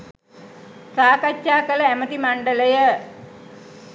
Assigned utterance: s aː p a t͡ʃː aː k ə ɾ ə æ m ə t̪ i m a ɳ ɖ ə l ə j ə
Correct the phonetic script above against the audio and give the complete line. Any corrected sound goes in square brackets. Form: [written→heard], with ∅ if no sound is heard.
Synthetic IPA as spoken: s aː [p→k] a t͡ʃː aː k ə [ɾ→l] ə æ m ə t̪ i m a ɳ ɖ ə l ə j ə